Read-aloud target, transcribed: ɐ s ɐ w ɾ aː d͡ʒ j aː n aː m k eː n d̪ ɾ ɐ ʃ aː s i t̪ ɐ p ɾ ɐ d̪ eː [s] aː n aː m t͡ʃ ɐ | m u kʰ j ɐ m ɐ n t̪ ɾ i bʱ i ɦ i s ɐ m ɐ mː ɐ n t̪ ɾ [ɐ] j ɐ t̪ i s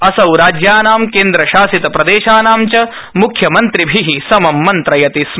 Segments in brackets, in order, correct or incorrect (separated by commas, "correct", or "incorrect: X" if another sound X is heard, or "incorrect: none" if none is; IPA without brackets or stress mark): incorrect: ʃ, correct